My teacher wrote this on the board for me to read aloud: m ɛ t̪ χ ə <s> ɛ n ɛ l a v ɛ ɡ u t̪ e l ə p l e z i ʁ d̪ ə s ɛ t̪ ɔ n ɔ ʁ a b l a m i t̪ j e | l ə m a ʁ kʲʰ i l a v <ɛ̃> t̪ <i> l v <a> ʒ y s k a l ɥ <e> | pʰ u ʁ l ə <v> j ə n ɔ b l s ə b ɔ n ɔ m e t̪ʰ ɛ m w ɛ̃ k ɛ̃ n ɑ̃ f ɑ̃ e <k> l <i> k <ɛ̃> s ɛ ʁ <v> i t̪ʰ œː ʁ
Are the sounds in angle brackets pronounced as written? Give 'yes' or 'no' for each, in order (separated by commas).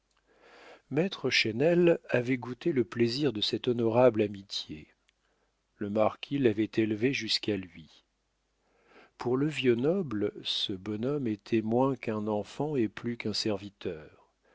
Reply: no, no, no, no, no, yes, no, no, yes, yes